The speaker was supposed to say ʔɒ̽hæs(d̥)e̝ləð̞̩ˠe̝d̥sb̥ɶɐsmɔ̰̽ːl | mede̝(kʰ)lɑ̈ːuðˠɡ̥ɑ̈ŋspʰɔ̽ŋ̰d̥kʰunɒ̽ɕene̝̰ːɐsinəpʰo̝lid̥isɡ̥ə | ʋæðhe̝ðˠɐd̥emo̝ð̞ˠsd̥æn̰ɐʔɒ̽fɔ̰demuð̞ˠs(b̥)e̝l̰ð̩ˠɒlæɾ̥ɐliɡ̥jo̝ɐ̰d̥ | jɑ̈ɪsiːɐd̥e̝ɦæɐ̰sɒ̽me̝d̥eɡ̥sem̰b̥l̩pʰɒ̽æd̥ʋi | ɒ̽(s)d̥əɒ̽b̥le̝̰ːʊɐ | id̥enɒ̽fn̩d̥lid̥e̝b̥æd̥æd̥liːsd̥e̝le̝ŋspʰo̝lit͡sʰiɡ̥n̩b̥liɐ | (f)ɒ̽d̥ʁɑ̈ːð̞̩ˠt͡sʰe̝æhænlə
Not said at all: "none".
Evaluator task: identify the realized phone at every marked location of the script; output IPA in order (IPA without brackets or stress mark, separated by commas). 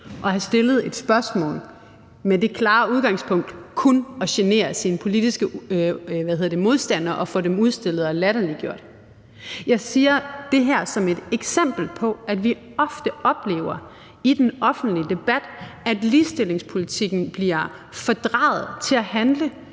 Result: d̥, kʰ, d̥, f, f